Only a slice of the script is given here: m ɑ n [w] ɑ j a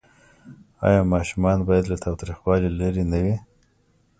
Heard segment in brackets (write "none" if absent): b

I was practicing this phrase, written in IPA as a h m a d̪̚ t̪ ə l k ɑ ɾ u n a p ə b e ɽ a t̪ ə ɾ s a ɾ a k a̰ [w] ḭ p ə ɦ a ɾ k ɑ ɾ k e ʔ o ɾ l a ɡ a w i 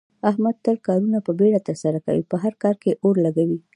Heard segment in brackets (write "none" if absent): w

